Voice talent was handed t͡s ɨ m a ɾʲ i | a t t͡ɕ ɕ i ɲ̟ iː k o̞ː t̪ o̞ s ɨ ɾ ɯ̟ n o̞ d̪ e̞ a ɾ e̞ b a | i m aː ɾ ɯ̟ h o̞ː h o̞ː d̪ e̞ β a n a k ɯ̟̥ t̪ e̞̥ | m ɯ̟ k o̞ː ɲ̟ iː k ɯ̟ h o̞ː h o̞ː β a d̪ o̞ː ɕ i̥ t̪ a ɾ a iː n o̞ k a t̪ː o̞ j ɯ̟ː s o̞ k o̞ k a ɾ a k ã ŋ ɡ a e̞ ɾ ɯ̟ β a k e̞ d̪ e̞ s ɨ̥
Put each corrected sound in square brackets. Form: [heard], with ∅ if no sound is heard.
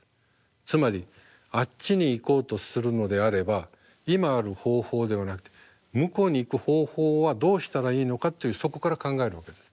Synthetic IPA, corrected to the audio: t͡s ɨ m a ɾʲ i | a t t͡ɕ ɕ i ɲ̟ iː k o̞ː t̪ o̞ s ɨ ɾ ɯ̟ n o̞ d̪ e̞ a ɾ e̞ b a | i m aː ɾ ɯ̟ h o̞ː h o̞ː d̪ e̞ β a n a k ɯ̟̥ t̪ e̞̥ | m ɯ̟ k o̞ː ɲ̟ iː k ɯ̟ h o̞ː h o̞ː β a d̪ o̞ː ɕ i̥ t̪ a ɾ a iː n o̞ k a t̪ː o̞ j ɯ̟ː s o̞ k o̞ k a ɾ a k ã ŋ ɡ a e̞ ɾ ɯ̟ β a k e̞ d̪ e̞ s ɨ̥